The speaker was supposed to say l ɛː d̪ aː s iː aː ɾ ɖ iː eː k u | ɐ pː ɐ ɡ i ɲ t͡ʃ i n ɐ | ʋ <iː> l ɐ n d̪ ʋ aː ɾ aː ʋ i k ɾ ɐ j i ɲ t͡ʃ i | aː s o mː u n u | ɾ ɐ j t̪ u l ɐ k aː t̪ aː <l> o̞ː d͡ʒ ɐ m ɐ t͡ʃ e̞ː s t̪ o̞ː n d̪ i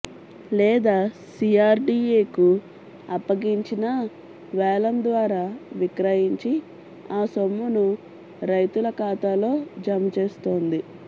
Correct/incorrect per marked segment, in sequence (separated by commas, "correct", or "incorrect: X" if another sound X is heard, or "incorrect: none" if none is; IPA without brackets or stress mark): incorrect: ɛː, correct